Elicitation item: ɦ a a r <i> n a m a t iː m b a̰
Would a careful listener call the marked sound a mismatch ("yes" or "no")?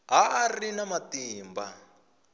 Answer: no